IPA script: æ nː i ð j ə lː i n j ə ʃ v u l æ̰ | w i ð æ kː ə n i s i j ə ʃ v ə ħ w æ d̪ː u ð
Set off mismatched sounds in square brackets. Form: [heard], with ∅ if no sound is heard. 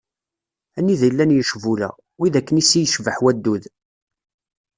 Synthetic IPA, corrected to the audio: æ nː i ð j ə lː [æ] n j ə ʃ v u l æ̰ | w i ð æ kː ə n i s i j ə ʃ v ə ħ w æ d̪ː u ð